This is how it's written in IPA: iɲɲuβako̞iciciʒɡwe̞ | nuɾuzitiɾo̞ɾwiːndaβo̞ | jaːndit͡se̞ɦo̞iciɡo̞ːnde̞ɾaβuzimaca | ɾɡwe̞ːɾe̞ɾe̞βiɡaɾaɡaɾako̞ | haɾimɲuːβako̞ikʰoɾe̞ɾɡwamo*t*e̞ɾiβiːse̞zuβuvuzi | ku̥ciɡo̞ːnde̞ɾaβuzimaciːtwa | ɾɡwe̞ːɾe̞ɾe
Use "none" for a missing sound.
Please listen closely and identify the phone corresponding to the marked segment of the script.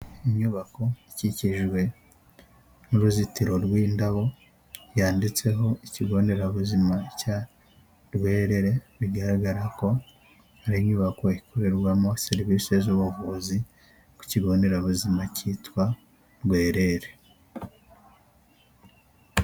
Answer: s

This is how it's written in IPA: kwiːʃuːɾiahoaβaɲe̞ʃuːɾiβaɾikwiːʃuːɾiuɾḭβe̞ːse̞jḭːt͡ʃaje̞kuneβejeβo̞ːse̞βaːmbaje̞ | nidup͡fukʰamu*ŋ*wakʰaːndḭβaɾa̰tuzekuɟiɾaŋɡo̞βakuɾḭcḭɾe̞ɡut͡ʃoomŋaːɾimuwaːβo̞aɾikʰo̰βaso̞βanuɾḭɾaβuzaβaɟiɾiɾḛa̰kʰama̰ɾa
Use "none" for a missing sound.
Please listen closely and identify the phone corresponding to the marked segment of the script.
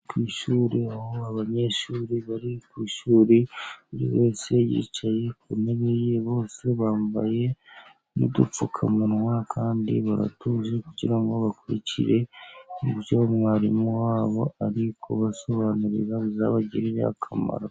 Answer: n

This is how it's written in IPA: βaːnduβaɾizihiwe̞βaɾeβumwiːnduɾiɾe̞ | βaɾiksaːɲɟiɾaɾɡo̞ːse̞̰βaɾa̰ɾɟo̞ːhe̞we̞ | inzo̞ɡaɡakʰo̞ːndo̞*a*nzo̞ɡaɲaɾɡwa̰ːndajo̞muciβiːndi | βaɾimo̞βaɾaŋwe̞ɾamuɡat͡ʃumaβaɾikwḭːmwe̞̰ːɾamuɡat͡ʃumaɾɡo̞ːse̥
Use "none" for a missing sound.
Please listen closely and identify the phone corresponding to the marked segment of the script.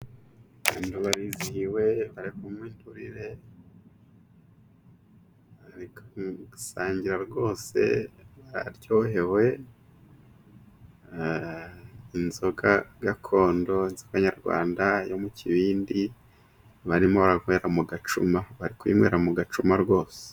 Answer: i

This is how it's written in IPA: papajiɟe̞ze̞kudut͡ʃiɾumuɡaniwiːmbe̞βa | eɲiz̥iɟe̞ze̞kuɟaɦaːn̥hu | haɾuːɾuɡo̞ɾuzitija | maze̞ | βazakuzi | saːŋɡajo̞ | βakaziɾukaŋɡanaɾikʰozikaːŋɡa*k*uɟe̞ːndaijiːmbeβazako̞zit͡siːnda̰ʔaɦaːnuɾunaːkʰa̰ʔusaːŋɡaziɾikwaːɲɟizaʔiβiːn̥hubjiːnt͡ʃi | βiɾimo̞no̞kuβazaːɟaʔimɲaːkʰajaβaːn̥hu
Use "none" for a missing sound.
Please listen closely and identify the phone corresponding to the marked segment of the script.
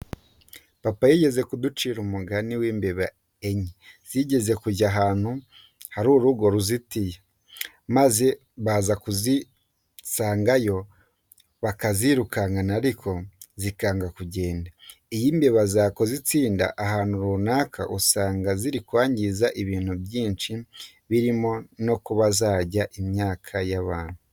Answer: k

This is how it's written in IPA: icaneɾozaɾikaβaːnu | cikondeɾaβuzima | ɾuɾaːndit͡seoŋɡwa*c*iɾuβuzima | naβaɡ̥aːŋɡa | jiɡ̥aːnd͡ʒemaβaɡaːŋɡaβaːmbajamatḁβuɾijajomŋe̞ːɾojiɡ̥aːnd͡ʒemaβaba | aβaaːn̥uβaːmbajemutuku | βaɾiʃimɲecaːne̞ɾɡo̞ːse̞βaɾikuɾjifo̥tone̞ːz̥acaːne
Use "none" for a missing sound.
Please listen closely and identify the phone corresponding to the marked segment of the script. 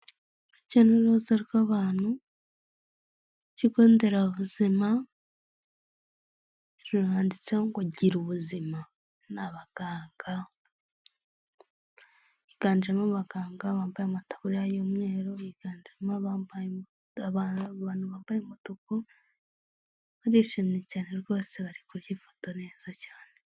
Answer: ɟ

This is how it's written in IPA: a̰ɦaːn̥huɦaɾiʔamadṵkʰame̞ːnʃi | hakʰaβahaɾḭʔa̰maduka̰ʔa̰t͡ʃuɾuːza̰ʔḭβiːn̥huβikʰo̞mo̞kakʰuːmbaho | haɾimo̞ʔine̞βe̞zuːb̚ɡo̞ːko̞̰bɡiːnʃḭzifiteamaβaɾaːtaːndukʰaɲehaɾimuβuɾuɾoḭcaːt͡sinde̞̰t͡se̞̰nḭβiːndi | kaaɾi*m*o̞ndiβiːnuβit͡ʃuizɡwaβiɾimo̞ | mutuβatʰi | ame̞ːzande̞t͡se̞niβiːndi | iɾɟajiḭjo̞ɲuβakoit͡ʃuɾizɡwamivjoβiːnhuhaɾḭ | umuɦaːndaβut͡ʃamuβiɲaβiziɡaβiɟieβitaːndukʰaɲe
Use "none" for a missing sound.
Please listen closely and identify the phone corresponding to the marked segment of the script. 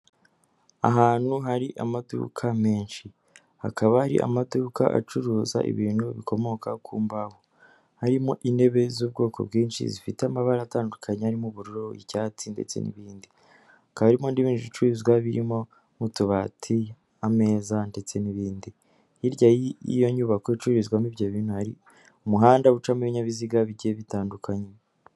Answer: m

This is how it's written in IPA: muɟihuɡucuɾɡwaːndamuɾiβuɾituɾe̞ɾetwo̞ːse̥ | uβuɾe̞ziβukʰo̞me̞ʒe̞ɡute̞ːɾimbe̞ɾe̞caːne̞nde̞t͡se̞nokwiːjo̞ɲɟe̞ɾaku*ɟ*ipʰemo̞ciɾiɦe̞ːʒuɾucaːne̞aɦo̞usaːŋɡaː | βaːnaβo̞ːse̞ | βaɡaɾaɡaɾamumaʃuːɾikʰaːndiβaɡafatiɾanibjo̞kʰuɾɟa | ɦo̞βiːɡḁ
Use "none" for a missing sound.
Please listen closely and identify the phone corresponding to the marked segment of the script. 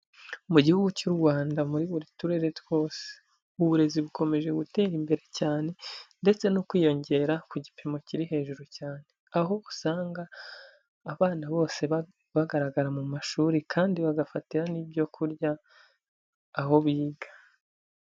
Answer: ɟ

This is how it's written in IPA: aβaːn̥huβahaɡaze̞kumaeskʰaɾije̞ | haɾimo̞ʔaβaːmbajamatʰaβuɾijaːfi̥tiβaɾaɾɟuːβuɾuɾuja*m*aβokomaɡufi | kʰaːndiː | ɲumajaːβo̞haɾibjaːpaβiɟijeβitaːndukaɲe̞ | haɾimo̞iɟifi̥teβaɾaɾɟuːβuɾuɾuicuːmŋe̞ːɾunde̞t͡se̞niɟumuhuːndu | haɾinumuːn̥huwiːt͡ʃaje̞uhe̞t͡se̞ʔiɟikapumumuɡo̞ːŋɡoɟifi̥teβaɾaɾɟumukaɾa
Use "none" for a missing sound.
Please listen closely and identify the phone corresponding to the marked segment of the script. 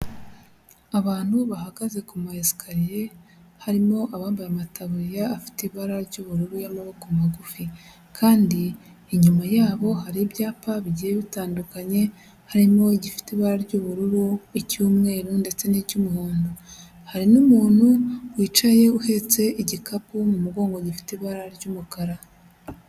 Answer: m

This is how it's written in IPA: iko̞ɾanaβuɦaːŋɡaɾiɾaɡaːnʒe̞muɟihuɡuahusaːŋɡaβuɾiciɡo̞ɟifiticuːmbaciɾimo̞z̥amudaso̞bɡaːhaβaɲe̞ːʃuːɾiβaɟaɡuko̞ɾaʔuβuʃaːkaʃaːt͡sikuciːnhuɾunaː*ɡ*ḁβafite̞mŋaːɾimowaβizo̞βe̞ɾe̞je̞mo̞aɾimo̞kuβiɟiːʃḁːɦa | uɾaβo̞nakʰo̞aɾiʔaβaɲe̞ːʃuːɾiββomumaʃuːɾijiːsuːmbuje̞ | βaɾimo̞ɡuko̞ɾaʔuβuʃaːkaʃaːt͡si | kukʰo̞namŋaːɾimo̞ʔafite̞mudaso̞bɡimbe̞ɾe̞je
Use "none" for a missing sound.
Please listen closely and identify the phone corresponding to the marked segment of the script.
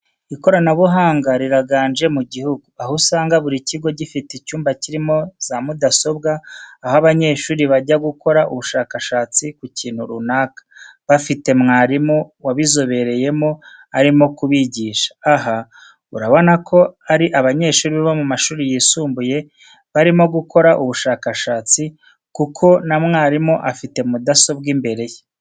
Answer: k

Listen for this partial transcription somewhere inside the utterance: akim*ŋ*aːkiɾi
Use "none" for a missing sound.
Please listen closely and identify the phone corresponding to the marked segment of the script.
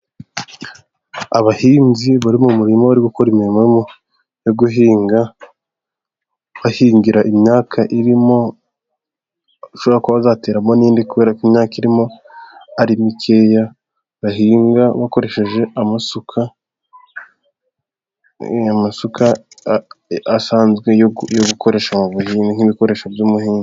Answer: ɲ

